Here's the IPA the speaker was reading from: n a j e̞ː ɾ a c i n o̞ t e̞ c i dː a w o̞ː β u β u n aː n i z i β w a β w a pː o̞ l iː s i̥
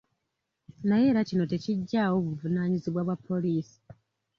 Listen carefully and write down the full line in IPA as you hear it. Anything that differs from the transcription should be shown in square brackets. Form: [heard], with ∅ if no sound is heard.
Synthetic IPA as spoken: n a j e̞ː ɾ a c i n o̞ t e̞ c i [ɟː] a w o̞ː β u [v] u n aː [ɲ] i z i β w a β w a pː o̞ l iː s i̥